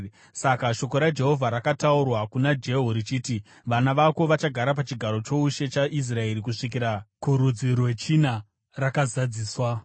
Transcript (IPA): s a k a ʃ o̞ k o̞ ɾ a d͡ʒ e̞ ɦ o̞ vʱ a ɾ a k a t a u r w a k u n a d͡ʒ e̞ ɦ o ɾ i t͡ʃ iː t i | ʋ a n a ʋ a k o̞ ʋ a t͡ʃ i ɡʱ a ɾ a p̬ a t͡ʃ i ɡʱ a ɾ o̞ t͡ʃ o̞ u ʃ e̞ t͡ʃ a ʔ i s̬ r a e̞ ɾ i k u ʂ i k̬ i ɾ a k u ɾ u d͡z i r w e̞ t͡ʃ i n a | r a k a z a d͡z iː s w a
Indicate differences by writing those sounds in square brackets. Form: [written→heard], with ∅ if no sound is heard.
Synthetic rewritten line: s a k a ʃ o̞ k o̞ ɾ a d͡ʒ e̞ ɦ o̞ vʱ a ɾ a k a t a u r w a k u n a d͡ʒ e̞ ɦ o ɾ i t͡ʃ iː t i | ʋ a n a ʋ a k o̞ ʋ a t͡ʃ [i→a] ɡʱ a ɾ a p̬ a t͡ʃ i ɡʱ a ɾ o̞ t͡ʃ o̞ u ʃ e̞ t͡ʃ a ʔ i s̬ r a e̞ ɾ i k u ʂ i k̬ i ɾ a k u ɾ u d͡z i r w e̞ t͡ʃ i n a | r a k a z a d͡z iː s w a